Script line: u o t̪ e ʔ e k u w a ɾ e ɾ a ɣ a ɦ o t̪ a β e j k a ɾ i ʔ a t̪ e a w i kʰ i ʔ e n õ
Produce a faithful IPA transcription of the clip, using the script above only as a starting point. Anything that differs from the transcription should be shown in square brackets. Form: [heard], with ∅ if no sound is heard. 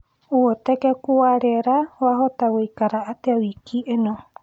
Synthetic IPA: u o t̪ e [k] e k u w a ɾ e ɾ a [w] a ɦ o t̪ a [w] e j k a ɾ [a] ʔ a t̪ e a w i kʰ i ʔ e n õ